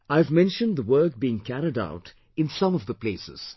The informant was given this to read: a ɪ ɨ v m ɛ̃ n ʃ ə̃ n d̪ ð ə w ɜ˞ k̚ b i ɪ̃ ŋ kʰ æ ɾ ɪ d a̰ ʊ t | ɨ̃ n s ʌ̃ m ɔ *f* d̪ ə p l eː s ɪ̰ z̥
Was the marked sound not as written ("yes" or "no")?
yes